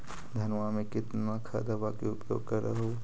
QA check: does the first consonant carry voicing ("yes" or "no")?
yes